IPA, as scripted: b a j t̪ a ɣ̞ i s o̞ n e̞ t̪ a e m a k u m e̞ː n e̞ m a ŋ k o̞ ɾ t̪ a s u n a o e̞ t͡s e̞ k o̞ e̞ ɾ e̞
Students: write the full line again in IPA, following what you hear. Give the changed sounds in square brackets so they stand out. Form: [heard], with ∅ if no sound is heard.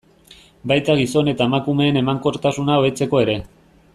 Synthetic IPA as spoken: b a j t̪ a ɣ̞ i s o̞ n e̞ t̪ a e m a k u m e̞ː n e̞ m a ŋ k o̞ ɾ t̪ a s u n a o e̞ t͡s e̞ k o̞ e̞ ɾ e̞

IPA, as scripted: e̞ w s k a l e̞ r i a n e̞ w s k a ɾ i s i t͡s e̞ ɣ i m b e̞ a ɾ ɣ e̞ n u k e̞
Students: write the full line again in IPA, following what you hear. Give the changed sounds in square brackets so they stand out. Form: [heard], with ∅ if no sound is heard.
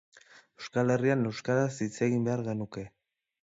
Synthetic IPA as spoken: e̞ w s k a l e̞ r i a n e̞ w s k a ɾ [a] s i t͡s e̞ ɣ i m b e̞ a ɾ ɣ e̞ n u k e̞

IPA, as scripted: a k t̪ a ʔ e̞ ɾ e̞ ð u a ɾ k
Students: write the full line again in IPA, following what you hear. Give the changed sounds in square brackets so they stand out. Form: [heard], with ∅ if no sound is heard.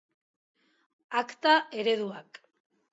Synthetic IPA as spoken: a k t̪ a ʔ e̞ ɾ e̞ ð u a [∅] k

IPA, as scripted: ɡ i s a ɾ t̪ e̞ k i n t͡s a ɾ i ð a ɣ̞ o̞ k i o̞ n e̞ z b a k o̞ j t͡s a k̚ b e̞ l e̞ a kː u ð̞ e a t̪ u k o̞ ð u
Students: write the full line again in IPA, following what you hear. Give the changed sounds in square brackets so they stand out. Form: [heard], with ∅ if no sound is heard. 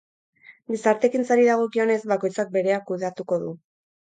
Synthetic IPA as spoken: ɡ i s a ɾ t̪ e̞ k i n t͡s a ɾ i ð a ɣ̞ o̞ k i o̞ n e̞ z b a k o̞ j t͡s a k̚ b e̞ [ɾ] e̞ a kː u ð̞ e a t̪ u k o̞ ð u

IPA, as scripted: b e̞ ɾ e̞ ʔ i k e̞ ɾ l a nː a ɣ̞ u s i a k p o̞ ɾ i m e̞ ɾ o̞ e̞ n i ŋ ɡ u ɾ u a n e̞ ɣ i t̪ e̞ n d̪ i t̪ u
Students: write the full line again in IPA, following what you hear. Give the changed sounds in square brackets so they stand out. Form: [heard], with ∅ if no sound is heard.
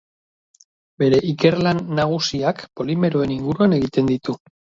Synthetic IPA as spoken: b e̞ ɾ e̞ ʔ i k e̞ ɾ l a nː a ɣ̞ u s i a k p o̞ [l] i m e̞ ɾ o̞ e̞ n i ŋ ɡ u ɾ u a n e̞ ɣ i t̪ e̞ n d̪ i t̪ u

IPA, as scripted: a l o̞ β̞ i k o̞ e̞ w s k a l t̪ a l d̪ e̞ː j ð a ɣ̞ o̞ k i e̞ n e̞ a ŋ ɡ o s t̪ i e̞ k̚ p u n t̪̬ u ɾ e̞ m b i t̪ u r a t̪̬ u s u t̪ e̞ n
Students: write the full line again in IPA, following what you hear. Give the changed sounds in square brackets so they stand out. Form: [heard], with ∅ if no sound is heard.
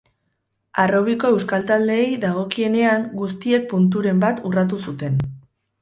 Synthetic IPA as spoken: a [r] o̞ β̞ i k o̞ e̞ w s k a l t̪ a l d̪ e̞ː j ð a ɣ̞ o̞ k i e̞ n e̞ a ŋ ɡ [u] s t̪ i e̞ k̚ p u n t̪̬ u ɾ e̞ m b [a] t̪ u r a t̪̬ u s u t̪ e̞ n

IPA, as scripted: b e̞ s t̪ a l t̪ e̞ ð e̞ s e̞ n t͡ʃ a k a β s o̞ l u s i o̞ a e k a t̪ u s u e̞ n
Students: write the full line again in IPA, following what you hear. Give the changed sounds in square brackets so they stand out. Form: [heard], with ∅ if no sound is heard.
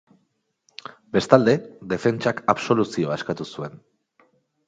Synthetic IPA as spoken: b e̞ s t̪ a l [d̪] e̞ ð e̞ [f] e̞ n t͡ʃ a k a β s o̞ l u s i o̞ a e k a t̪ u s u e̞ n

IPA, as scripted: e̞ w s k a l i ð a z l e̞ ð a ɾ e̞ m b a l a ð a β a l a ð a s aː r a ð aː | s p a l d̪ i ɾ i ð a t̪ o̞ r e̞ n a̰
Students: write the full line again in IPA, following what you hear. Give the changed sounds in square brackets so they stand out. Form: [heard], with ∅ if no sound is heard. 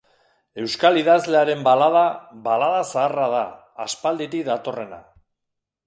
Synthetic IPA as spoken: e̞ w s k a l i ð a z l e̞ [∅] a ɾ e̞ m b a l a ð a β a l a ð a s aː r a ð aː | s p a l d̪ i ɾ i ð a t̪ o̞ r e̞ n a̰

